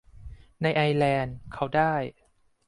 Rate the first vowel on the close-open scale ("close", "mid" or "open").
open